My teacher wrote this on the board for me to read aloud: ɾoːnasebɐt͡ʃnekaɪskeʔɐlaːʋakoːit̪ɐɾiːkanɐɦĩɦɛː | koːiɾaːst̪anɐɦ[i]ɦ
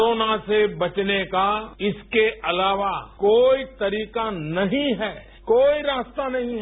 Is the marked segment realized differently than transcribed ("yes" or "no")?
yes